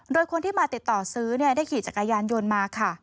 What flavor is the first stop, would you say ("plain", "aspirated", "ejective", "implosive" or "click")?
plain